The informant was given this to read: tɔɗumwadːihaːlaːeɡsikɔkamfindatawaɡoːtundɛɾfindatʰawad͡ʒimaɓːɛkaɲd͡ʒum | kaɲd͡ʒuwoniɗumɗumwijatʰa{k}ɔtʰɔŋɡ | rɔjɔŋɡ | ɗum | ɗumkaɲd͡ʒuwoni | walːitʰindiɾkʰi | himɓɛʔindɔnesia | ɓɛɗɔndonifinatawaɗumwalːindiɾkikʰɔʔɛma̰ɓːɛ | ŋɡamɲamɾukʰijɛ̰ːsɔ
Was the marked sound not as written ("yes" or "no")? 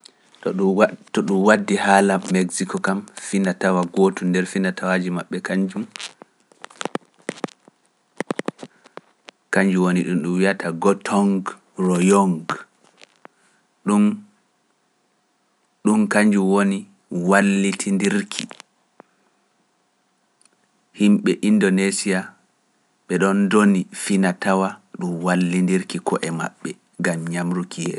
yes